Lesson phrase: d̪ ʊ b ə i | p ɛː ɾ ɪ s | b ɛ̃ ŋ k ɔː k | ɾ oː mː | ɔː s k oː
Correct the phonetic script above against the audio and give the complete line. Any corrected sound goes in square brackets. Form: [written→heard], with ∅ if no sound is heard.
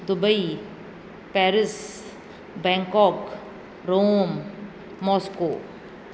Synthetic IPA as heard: d̪ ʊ b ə i | p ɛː ɾ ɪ s | b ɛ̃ ŋ k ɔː k | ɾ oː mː | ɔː s k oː